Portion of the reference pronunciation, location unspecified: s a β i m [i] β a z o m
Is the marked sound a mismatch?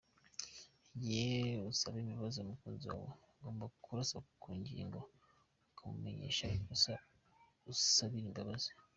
no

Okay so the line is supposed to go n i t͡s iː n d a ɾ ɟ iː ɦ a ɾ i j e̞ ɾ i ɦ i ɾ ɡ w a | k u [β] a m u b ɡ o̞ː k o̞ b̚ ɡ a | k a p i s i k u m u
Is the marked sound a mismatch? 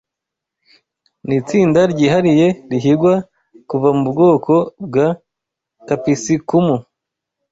yes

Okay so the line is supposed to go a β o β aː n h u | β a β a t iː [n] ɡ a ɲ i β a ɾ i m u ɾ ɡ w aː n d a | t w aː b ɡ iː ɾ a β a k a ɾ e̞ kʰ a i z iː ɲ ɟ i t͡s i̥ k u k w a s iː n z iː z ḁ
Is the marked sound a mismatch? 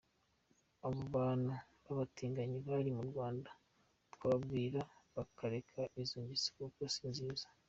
yes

